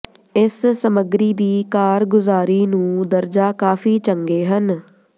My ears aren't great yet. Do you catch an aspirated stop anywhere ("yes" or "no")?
no